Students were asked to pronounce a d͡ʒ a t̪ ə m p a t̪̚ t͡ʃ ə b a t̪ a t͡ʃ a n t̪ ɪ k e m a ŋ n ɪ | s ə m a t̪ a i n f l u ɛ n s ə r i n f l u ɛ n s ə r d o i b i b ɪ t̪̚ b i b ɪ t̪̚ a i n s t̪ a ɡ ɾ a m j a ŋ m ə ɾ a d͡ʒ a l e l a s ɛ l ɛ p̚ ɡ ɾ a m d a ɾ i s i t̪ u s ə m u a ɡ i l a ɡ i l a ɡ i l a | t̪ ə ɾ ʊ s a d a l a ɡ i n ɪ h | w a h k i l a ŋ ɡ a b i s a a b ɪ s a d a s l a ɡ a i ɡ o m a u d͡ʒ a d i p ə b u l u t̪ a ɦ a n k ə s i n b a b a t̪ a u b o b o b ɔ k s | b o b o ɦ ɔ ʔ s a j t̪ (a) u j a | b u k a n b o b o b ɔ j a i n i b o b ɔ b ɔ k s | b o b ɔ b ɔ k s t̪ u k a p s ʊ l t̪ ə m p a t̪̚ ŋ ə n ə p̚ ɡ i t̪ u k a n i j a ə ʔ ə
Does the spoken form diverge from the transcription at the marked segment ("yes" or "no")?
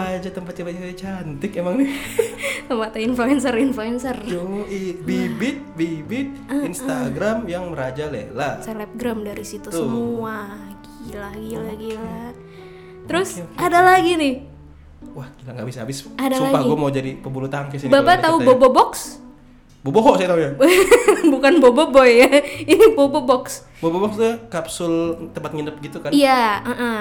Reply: no